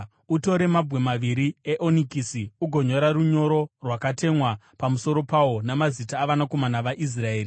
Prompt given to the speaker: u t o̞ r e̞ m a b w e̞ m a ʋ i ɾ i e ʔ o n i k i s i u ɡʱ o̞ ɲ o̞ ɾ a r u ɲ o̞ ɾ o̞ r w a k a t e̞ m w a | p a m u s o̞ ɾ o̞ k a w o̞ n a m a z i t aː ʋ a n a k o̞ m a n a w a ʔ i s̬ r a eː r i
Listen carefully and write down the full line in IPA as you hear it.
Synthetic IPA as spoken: u t o̞ ɾ e̞ m a b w e̞ m a ʋ i ɾ i e ʔ o n i k i s i u ɡʱ o̞ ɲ o̞ ɾ a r u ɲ o̞ ɾ o̞ r w a k a t e̞ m w a | p a m u s o̞ ɾ o̞ p a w o̞ n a m a z i t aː ʋ a n a k o̞ m a n a ʋ a ʔ i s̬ r a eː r i